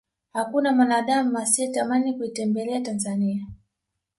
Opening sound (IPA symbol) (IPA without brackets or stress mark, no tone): h